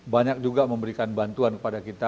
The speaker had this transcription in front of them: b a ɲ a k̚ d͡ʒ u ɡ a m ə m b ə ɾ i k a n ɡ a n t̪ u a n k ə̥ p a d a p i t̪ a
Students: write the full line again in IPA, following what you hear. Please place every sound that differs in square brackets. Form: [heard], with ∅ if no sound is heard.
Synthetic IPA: b a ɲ a k̚ d͡ʒ u ɡ a m ə m b ə ɾ i k a n [b] a n t̪ u a n k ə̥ p a d a [k] i t̪ a